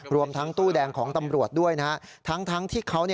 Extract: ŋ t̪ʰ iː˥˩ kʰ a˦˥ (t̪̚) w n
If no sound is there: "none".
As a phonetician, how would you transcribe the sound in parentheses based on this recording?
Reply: none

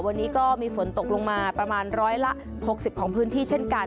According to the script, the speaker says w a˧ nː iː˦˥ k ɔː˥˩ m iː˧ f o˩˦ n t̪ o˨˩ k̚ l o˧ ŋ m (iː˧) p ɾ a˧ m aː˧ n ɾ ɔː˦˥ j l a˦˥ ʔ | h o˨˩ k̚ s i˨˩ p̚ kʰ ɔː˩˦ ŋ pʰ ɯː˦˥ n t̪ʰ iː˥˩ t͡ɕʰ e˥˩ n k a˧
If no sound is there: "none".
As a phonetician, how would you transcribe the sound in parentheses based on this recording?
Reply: aː˧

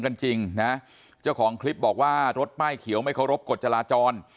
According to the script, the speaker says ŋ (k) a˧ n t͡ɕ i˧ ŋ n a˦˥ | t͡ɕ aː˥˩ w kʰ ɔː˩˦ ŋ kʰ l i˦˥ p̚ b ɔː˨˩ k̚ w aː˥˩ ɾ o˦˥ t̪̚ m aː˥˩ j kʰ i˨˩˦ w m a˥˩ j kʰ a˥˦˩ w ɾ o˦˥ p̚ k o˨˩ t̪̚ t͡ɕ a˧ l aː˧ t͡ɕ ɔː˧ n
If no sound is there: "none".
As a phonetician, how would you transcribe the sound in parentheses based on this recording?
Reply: k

